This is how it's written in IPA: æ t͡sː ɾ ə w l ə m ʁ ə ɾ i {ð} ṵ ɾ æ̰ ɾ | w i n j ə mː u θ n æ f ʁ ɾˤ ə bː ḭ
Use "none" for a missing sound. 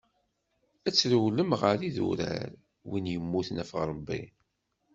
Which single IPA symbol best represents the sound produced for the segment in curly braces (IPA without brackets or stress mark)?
ð